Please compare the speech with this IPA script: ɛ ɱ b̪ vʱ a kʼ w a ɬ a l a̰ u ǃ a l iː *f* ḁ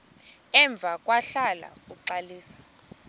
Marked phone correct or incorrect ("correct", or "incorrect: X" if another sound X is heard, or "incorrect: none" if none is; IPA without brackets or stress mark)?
incorrect: s